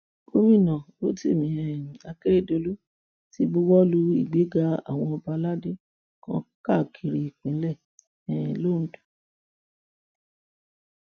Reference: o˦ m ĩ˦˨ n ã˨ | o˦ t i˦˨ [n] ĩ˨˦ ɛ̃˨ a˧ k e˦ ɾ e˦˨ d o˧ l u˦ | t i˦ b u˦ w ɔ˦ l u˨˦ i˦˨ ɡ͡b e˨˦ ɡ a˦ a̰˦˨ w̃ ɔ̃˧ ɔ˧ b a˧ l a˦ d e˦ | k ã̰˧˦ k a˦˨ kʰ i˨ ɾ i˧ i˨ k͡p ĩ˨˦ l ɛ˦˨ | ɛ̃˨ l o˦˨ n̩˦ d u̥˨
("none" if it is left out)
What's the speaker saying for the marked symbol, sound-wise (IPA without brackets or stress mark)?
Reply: m